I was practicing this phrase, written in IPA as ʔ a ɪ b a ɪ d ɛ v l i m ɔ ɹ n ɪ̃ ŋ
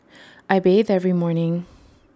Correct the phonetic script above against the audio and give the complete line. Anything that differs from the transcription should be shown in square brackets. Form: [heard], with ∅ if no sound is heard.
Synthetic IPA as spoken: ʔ a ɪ b [e] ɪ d ɛ v [ɹ] i m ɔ ɹ n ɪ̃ ŋ

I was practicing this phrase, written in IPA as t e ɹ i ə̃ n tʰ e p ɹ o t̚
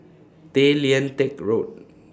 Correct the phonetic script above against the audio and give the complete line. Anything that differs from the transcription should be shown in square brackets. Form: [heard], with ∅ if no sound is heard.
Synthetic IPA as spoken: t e [l] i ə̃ n [t] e [k] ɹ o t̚

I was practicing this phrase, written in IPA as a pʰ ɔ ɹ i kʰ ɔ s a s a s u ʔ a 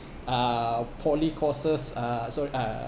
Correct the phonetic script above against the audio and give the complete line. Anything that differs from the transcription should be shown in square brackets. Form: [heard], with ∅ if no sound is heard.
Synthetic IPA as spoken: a pʰ ɔ [l] i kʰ ɔ s [ə] s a s [ɔ] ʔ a

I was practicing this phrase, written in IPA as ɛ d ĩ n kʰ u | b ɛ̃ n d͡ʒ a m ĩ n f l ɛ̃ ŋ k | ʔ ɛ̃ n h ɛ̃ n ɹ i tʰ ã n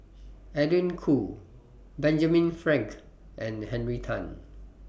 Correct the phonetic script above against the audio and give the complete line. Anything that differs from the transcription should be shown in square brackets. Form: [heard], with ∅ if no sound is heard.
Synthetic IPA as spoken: ɛ d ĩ n kʰ u | b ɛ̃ n d͡ʒ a m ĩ n f [ɹ] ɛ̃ ŋ k | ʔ ɛ̃ n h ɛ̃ n ɹ i tʰ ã n

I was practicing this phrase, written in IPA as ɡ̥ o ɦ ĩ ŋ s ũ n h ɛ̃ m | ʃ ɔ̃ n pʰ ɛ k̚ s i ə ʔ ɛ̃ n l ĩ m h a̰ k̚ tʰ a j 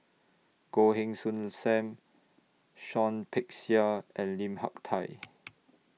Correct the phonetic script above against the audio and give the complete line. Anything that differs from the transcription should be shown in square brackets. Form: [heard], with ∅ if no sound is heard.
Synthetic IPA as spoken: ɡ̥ o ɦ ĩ ŋ s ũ n [s] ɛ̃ m | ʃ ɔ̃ n pʰ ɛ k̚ s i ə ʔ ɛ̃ n l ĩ m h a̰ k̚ tʰ a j

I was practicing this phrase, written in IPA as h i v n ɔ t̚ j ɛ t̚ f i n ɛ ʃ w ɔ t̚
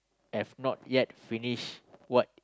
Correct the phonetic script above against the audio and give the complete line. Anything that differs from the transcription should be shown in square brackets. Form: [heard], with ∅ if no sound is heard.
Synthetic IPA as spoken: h [ɛ] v n ɔ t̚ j ɛ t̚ f i n [i] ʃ w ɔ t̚

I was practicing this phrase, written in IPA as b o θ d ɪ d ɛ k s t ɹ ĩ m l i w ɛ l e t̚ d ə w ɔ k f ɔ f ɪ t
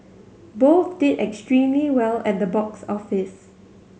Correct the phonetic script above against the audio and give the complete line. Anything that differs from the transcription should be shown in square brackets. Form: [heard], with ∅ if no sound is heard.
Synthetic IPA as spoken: b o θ d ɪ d ɛ k s t ɹ ĩ m l i w ɛ l [ɛ] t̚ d ə [b] ɔ k [s] ɔ f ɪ [s]

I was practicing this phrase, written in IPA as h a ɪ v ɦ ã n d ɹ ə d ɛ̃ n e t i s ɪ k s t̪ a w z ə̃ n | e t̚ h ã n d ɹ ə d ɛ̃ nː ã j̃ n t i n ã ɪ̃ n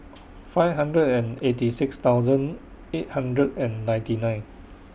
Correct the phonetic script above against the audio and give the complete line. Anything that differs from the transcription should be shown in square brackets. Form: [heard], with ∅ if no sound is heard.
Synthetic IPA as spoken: [f] a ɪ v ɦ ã n d ɹ ə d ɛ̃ n e t i s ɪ k s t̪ a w z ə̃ n | e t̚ h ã n d ɹ ə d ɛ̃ nː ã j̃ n t i n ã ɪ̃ n

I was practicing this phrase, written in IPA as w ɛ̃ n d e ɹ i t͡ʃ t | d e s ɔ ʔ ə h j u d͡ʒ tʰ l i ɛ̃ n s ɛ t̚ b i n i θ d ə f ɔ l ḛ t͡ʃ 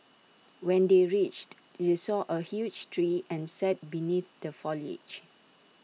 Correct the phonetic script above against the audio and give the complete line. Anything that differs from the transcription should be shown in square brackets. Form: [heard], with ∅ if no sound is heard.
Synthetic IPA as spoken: w ɛ̃ n d e ɹ i t͡ʃ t | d e s ɔ ʔ ə h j u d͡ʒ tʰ [ɹ] i ɛ̃ n s ɛ t̚ b i n i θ d ə f ɔ l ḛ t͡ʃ

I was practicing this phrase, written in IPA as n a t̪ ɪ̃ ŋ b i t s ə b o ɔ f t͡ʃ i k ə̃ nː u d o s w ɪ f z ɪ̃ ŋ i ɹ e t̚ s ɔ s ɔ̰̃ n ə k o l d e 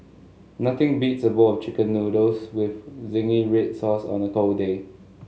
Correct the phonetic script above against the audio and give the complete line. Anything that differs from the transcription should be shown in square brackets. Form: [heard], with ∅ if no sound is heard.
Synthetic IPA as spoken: n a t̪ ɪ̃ ŋ b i t s ə b o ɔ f t͡ʃ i k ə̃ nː u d o s w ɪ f z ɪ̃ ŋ i ɹ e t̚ s ɔ s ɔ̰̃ n ə k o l d e

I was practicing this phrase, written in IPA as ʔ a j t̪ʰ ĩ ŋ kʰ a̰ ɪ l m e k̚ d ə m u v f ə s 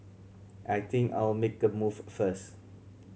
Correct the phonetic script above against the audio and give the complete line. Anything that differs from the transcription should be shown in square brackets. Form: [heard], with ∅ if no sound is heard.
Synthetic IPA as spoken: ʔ a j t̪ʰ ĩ ŋ [k] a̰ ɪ l m e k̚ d ə m u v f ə s

